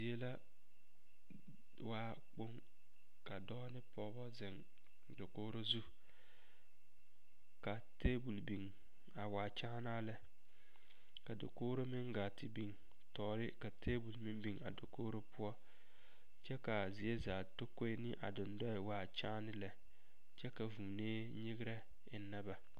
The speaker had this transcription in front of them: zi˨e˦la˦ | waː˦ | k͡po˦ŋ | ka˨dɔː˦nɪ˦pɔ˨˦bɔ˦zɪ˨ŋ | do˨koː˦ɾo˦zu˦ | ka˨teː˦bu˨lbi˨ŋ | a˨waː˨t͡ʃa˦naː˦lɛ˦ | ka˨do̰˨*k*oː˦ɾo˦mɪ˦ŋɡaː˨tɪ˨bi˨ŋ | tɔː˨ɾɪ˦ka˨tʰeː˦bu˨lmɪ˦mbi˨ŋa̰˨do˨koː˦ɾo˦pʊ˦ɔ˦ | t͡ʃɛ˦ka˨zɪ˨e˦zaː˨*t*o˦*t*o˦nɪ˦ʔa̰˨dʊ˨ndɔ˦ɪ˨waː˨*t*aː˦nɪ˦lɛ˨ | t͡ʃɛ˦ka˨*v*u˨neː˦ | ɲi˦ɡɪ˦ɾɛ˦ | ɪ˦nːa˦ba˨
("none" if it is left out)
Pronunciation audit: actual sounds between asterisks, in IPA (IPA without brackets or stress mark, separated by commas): k, t, k, t͡ʃ, v